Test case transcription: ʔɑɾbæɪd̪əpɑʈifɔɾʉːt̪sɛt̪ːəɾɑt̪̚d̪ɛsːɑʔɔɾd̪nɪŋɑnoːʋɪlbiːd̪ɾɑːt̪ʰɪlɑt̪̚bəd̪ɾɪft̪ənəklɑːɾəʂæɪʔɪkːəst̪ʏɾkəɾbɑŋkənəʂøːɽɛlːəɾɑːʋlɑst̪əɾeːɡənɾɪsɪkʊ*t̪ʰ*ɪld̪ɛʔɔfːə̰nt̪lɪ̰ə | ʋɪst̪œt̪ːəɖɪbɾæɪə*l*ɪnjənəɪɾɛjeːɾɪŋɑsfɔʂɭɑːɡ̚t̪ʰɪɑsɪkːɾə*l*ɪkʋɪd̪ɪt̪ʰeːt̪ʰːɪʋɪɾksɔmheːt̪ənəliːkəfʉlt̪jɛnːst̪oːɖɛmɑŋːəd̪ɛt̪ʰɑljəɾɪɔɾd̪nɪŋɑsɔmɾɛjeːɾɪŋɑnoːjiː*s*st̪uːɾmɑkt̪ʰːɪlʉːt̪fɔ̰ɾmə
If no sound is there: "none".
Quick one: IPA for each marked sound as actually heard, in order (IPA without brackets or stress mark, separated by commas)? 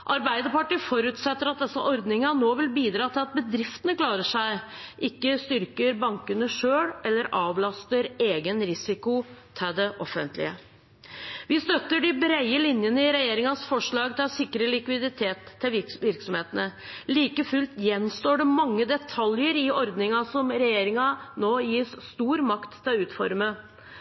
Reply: t̪ʰ, l, l, s